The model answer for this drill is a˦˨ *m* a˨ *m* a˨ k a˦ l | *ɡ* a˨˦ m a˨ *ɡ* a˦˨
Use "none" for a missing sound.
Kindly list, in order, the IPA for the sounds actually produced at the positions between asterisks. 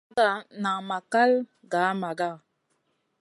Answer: n, m, ɡ, ɡ

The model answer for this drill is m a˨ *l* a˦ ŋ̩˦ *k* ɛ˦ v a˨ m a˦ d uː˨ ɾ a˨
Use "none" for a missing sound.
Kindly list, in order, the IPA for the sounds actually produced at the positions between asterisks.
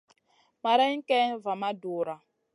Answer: ɾ, k

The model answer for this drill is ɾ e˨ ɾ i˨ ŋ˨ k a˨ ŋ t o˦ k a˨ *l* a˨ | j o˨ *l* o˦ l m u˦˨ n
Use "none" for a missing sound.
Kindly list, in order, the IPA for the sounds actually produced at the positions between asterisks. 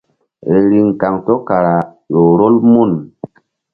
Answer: ɾ, ɾ

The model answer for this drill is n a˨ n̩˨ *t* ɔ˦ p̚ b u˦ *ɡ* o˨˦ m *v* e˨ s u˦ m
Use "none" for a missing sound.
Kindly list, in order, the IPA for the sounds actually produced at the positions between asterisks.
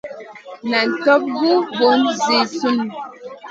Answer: t, b, z

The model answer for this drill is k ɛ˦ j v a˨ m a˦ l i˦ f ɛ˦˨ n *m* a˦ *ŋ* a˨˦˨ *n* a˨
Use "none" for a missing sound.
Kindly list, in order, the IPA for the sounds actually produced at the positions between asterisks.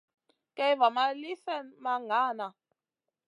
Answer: m, ŋ, n

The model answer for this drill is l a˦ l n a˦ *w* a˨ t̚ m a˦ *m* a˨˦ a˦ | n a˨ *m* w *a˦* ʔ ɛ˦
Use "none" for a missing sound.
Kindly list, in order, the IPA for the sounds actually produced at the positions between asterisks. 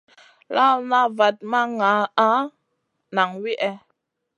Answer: v, ŋ, ŋ, i˦

